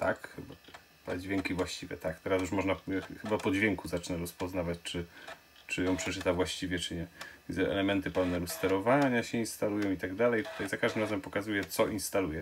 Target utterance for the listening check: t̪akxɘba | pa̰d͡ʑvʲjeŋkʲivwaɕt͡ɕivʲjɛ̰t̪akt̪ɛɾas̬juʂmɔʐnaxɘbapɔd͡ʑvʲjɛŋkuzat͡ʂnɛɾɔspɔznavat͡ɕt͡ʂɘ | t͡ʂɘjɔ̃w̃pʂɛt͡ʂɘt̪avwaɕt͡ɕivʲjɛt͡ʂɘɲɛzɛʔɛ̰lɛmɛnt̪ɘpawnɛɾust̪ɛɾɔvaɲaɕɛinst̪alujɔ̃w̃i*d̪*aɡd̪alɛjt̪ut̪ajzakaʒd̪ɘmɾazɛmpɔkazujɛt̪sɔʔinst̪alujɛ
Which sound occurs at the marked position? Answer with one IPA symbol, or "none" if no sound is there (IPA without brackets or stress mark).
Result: t̪